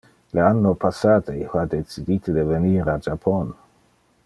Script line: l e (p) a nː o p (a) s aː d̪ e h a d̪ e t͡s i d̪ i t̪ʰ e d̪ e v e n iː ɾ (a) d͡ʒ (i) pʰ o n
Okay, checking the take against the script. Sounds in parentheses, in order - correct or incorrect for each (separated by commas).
incorrect, correct, correct, incorrect